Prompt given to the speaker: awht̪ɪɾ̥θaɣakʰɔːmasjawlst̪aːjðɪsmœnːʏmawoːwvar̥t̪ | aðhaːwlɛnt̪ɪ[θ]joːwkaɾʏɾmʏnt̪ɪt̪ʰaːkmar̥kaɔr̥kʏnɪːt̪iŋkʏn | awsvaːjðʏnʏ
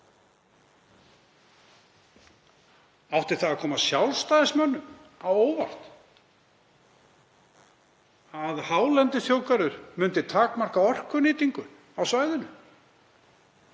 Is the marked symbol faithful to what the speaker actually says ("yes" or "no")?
yes